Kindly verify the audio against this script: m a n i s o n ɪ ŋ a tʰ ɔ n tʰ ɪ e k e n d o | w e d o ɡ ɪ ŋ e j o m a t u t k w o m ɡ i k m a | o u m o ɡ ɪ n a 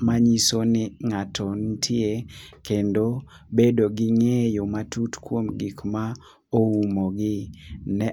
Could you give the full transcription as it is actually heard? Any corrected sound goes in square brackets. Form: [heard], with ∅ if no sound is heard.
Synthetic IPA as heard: m a [ɲ] i s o n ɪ ŋ a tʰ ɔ n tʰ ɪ e k e n d o | [b] e d o ɡ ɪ ŋ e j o m a t u t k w o m ɡ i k m a | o u m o ɡ ɪ n [ɛ]

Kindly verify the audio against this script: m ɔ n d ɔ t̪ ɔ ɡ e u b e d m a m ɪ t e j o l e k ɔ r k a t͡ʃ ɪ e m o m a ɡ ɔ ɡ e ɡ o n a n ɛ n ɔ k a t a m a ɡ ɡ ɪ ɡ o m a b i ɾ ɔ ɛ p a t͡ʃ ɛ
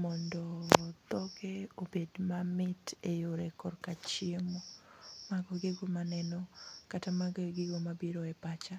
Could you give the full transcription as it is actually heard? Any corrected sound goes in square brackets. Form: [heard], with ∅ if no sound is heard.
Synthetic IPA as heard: m ɔ n d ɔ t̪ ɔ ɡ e [o] b e d m a m ɪ t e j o [ɾ] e k ɔ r k a t͡ʃ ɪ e m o m a ɡ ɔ ɡ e ɡ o [m] a n ɛ n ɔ k a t a m a ɡ ɡ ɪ ɡ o m a b i ɾ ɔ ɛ p a t͡ʃ [a]

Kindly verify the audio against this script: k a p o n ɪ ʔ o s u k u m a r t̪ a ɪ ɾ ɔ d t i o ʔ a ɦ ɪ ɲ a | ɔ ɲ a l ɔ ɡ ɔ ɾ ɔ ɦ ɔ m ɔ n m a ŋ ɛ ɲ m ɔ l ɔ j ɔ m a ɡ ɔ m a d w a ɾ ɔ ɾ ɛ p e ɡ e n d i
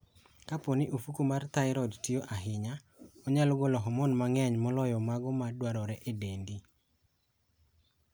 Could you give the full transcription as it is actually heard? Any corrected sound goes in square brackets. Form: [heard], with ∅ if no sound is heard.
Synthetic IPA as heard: k a p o n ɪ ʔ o [f] u k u m a r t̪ a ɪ ɾ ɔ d t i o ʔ a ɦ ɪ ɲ a | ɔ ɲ a l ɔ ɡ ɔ [l] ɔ ɦ ɔ m ɔ n m a ŋ ɛ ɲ m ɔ l ɔ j ɔ m a ɡ ɔ m a d w a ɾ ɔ ɾ ɛ [ʔ] e [d] e n d i

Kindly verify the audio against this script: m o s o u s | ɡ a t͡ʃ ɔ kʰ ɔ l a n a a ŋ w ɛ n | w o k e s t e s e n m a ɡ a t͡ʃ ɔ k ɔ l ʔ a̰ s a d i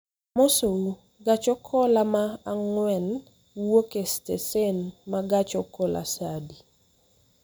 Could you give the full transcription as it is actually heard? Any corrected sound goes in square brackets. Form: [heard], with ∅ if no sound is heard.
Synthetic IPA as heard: m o s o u [∅] | ɡ a t͡ʃ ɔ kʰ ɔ l a [m] a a ŋ w ɛ n | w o k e s t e s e n m a ɡ a t͡ʃ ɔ k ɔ l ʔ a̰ s a d i

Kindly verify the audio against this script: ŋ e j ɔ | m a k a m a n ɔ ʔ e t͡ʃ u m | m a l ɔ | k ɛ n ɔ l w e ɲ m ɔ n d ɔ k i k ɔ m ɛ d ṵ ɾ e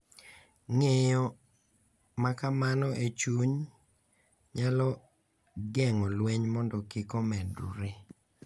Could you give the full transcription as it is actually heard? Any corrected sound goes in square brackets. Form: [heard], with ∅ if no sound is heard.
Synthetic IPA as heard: ŋ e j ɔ | m a k a m a n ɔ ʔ e t͡ʃ u [ɲ] | [ɲ] a l ɔ | [ɡ] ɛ [ŋ] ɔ l w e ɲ m ɔ n d ɔ k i k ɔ m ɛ d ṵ ɾ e

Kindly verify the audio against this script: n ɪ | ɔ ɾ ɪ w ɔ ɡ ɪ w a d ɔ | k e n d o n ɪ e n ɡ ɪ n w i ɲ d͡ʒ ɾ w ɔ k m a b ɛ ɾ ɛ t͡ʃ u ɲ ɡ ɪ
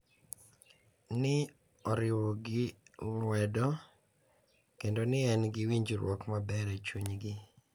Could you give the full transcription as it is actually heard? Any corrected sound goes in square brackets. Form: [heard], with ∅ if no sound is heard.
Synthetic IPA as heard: n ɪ | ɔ ɾ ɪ w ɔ ɡ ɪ w [ɛ] d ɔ | k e n d o n ɪ [ɛ] n ɡ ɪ [∅] w i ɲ d͡ʒ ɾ w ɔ k m a b ɛ ɾ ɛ t͡ʃ u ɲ ɡ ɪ

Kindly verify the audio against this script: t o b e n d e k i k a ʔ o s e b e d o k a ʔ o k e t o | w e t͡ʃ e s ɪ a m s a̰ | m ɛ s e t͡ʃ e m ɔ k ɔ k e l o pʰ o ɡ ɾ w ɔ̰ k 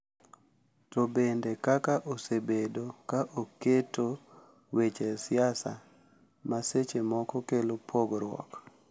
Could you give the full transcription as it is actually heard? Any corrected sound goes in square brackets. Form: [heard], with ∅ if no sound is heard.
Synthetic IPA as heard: t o b e n d e k [a] k a ʔ o s e b e d o k a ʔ o k e t o | w e t͡ʃ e s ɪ a [∅] s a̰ | m [a] s e t͡ʃ e m ɔ k ɔ k e l o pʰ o ɡ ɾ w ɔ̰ k

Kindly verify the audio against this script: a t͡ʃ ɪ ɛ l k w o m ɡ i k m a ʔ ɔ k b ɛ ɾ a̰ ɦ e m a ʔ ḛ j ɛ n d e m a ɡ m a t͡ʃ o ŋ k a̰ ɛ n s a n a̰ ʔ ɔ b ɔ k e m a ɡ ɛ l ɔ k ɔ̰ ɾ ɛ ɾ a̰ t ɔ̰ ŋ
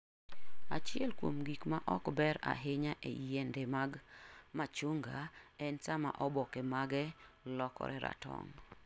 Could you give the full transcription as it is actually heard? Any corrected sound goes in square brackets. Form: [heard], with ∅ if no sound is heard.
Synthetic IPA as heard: a t͡ʃ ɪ ɛ l k w o m ɡ i k m a ʔ ɔ k b ɛ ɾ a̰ ɦ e [ɲ] a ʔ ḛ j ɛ n d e m a ɡ m a t͡ʃ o ŋ [ɡ] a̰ ɛ n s a [m] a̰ ʔ ɔ b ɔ k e m a ɡ ɛ l ɔ k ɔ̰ ɾ ɛ ɾ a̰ t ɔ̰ ŋ

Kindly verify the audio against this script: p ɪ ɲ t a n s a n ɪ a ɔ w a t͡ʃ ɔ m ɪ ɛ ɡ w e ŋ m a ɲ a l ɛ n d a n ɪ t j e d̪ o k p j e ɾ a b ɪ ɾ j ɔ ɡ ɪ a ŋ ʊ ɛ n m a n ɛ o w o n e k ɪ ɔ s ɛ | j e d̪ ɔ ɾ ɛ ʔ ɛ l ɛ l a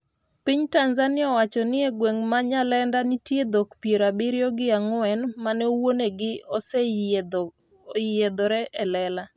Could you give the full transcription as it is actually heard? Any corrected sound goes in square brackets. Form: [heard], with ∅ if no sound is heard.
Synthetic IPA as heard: p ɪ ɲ t a n [z] a n ɪ a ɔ w a t͡ʃ ɔ [n] ɪ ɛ ɡ w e ŋ m a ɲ a l ɛ n d a n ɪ t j e d̪ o k p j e ɾ a b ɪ ɾ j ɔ ɡ ɪ a ŋ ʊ ɛ n m a n ɛ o w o n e [ɡ] ɪ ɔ s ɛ | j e d̪ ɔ ɾ ɛ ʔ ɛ l ɛ l a

